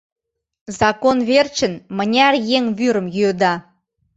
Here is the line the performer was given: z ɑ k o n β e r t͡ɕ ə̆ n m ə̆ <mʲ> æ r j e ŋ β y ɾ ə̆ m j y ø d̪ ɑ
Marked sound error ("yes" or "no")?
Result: yes